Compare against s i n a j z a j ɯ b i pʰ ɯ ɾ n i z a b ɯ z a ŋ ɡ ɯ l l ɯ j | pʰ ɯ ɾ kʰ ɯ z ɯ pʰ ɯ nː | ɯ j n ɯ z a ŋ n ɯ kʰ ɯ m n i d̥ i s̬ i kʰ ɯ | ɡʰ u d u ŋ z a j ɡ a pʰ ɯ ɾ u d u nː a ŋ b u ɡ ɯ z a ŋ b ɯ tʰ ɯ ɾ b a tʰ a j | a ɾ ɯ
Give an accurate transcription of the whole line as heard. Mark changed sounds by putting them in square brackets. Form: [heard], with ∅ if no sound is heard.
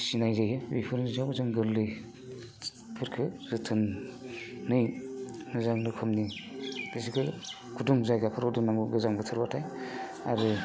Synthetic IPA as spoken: s i n a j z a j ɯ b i pʰ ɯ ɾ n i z a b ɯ z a ŋ ɡ ɯ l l ɯ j | pʰ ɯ ɾ kʰ ɯ z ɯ [tʰ] ɯ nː | ɯ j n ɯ z a ŋ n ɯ kʰ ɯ m n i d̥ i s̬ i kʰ ɯ | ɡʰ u d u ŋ z a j ɡ a pʰ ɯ ɾ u d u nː a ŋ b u ɡ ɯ z a ŋ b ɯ tʰ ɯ ɾ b a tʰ a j | a ɾ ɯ